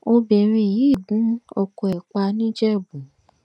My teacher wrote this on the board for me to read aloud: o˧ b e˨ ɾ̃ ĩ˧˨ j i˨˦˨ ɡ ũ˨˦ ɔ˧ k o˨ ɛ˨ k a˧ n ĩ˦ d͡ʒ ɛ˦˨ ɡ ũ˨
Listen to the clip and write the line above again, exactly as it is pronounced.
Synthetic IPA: o˧ b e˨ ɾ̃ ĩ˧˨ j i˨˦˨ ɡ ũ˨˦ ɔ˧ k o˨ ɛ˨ k͡p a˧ n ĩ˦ d͡ʒ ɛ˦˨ b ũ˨